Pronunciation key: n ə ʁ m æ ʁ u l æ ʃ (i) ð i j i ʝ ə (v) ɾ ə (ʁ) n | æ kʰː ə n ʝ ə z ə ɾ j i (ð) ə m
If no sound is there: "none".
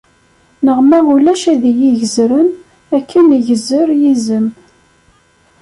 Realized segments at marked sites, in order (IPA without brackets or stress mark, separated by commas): æ, z, none, z